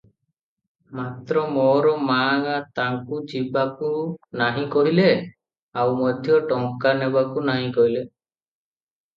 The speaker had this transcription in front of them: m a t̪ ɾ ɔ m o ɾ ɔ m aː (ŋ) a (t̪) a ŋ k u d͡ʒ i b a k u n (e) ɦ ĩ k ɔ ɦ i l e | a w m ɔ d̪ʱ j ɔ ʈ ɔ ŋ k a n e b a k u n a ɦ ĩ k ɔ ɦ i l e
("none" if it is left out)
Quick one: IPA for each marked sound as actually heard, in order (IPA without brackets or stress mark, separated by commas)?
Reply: ŋ, t̪, a